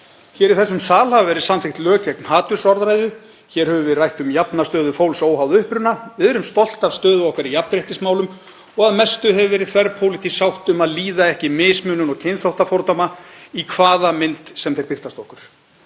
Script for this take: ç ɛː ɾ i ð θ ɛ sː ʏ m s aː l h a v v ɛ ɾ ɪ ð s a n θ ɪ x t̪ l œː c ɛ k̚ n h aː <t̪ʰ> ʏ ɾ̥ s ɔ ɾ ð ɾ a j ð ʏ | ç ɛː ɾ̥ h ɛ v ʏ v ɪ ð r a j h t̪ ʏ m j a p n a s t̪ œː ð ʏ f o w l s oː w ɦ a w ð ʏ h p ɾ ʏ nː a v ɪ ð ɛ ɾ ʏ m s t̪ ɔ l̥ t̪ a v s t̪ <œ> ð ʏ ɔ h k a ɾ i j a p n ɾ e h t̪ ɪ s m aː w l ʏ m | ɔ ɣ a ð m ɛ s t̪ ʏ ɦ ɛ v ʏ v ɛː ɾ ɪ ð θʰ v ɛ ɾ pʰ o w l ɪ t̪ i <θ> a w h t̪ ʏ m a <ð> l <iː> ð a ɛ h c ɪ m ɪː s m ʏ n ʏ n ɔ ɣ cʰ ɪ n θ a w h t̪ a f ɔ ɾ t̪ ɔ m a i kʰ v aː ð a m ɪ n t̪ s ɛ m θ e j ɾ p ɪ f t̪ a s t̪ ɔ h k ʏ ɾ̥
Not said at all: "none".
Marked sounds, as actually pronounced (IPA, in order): t̪, œː, s, ð, iː

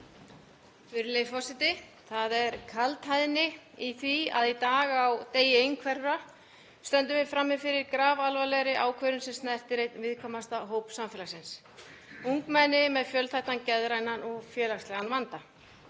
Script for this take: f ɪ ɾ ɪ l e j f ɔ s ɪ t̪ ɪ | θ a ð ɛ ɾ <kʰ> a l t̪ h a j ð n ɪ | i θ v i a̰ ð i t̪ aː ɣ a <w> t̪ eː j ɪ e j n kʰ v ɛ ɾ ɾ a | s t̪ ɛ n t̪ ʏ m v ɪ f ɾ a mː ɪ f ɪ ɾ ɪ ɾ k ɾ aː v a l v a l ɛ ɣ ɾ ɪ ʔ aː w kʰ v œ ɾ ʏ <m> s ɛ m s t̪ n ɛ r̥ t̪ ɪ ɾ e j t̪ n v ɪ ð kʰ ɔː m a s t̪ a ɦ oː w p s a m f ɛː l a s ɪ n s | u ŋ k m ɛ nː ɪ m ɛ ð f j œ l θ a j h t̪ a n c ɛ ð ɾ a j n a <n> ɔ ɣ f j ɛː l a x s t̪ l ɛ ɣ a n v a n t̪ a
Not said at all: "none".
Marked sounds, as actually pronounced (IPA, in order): kʰ, w, n, n

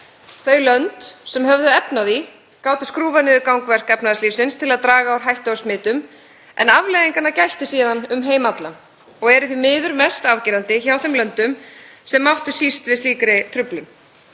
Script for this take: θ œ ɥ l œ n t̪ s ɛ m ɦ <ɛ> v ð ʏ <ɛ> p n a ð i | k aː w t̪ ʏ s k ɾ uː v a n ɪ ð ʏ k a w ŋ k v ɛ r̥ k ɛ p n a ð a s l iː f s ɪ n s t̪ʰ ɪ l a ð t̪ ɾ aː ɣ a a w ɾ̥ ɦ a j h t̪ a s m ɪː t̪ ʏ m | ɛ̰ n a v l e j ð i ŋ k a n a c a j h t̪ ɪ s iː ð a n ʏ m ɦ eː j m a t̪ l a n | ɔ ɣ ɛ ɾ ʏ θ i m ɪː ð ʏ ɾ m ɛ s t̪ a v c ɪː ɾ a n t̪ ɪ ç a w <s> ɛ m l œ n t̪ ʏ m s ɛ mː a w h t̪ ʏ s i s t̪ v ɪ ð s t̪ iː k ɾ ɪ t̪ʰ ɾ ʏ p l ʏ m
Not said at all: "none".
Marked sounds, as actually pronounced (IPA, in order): œ, ɛ, θ

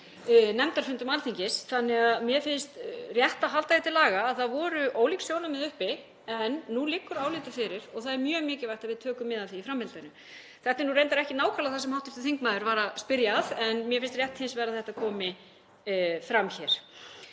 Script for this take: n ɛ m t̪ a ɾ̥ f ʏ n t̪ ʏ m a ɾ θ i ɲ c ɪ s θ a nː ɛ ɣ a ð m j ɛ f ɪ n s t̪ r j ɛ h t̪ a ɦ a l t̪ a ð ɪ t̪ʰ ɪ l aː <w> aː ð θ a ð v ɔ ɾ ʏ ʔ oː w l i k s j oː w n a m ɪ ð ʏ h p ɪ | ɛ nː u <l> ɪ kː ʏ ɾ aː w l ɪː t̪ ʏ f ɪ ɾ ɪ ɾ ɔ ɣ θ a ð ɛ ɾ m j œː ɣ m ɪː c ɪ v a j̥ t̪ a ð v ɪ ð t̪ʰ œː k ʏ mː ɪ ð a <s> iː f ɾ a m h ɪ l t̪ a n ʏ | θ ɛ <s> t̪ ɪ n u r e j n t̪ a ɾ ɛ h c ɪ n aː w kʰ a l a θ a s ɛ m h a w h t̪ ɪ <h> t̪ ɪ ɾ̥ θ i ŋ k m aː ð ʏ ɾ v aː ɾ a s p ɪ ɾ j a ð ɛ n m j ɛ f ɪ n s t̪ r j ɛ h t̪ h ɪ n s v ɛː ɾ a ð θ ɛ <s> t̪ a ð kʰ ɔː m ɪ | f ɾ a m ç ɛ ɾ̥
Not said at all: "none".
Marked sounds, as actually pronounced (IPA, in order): ɣ, l, θ, h, f, h

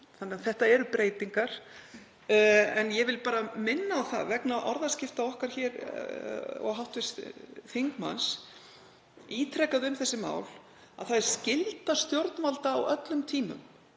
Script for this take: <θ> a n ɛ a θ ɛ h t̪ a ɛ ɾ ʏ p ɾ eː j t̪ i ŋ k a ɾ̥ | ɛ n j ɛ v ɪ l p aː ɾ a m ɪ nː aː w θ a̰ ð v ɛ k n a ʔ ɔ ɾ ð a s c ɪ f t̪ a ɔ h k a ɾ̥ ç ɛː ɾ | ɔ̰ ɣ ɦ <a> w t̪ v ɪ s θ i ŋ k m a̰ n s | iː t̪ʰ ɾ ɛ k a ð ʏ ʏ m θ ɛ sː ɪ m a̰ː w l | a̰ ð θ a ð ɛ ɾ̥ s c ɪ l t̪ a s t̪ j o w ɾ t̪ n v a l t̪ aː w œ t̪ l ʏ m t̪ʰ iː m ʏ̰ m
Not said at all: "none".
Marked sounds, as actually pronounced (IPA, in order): θ, a

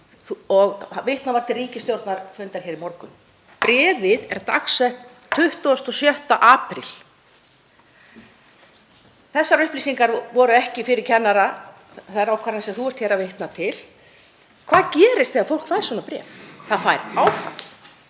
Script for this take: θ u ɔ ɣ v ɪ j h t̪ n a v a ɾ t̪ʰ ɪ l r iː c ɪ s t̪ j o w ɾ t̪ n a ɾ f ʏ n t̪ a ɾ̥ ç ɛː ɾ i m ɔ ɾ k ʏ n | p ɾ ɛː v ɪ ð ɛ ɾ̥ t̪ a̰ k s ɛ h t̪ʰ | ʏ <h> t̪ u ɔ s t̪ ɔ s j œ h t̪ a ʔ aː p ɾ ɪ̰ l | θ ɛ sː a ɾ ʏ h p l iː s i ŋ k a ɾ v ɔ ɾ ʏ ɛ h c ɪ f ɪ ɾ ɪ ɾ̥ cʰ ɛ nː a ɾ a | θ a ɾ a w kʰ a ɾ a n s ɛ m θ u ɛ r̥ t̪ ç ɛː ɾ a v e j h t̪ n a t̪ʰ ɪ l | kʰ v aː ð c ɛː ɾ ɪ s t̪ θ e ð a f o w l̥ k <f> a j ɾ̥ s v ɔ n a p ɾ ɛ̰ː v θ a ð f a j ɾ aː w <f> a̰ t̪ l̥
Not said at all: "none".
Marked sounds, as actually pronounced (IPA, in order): h, f, f

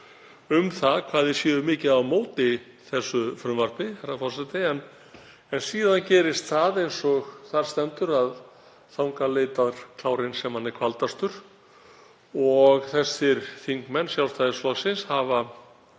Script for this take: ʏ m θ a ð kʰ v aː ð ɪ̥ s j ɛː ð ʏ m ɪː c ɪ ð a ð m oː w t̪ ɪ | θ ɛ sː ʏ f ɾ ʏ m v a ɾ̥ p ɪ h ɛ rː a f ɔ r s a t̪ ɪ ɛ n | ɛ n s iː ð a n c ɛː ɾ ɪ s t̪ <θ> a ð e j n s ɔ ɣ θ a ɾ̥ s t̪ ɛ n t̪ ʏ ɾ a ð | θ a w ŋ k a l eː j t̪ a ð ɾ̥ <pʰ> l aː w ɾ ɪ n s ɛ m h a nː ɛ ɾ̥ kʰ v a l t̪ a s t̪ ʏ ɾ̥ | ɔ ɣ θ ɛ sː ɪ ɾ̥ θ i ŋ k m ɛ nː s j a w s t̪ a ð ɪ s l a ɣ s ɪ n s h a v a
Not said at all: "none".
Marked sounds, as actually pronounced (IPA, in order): θ, kʰ

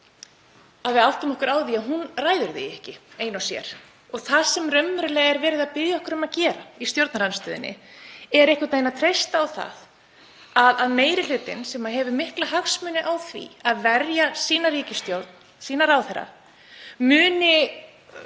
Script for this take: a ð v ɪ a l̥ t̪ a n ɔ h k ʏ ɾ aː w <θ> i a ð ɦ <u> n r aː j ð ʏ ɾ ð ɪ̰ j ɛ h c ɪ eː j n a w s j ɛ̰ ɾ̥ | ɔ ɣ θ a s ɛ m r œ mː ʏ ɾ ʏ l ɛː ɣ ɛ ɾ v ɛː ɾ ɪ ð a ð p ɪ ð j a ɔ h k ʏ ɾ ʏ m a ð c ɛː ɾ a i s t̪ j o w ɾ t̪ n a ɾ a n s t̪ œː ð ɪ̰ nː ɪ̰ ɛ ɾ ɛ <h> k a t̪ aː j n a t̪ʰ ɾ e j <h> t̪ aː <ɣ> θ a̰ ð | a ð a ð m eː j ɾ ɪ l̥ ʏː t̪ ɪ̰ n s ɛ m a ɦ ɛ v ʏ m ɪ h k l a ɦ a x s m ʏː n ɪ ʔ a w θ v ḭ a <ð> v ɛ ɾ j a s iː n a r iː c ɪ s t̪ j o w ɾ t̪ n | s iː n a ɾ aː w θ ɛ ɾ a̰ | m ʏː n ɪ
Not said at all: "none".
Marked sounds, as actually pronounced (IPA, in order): ð, u, h, s, w, ð

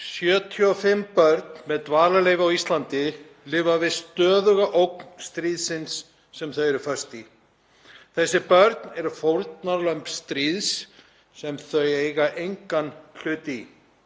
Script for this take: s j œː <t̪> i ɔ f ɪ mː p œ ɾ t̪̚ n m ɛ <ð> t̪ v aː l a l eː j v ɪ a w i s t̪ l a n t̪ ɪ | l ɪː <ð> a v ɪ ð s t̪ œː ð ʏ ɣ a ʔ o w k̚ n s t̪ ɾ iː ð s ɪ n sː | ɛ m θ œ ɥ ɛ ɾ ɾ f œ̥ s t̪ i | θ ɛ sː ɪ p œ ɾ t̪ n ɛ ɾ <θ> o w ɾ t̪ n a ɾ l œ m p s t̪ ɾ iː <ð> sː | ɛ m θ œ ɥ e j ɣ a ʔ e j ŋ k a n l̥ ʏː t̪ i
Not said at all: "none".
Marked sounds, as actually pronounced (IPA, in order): t̪ʰ, ð, v, f, ð

